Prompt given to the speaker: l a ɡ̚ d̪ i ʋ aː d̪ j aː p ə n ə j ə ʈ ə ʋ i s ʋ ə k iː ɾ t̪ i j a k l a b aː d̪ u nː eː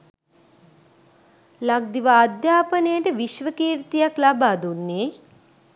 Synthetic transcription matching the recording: l a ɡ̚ d̪ i ʋ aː d̪ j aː p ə n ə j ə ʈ ə ʋ i ʃ ʋ ə k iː ɾ t̪ i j a k l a b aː d̪ u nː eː